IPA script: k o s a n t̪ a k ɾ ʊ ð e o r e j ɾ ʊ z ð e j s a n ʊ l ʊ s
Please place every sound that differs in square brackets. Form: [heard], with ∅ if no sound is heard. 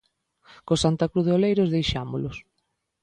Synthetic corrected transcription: k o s a n t̪ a k ɾ [u] ð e o [l] e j ɾ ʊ z ð e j [ʃ] a [m] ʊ l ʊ s